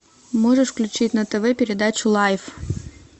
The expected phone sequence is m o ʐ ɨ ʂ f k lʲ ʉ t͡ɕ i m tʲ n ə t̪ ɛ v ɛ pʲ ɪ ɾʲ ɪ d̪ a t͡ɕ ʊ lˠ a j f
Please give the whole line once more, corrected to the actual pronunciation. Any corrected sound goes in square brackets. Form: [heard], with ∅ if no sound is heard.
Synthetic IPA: m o ʐ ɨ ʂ f k lʲ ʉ t͡ɕ i [∅] tʲ n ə t̪ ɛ v ɛ pʲ ɪ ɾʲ ɪ d̪ a t͡ɕ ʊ lˠ a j f